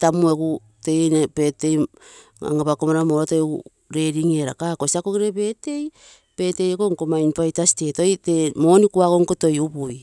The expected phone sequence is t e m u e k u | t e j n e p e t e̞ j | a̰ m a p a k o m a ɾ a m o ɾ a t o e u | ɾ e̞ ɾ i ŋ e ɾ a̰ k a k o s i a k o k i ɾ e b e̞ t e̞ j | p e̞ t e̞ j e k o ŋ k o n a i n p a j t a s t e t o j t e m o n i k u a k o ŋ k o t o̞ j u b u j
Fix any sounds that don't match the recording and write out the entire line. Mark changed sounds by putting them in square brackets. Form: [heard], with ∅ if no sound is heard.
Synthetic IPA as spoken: t [a] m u e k u | t e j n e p e t e̞ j | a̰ [ŋ] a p a k o m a ɾ a m o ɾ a t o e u | ɾ e̞ ɾ i ŋ e ɾ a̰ k a k o s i a k o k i ɾ e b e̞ t e̞ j | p e̞ t e̞ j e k o ŋ k o [m] a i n p a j t a s t e t o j t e m o n i k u a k o ŋ k o t o̞ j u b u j